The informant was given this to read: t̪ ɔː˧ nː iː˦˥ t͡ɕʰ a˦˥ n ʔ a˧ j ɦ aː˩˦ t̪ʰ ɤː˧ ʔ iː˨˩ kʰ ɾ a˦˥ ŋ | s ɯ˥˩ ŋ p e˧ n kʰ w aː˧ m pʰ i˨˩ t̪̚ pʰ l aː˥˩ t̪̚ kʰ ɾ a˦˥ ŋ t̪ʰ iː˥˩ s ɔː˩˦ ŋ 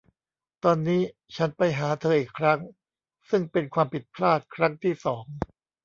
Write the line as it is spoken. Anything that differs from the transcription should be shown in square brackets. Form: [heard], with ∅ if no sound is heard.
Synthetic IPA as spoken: t̪ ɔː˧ nː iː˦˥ t͡ɕʰ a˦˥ n [p] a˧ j ɦ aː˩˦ t̪ʰ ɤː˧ ʔ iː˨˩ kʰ ɾ a˦˥ ŋ | s ɯ˥˩ ŋ p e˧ n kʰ w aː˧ m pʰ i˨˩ t̪̚ pʰ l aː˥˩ t̪̚ kʰ ɾ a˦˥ ŋ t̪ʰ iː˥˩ s ɔː˩˦ ŋ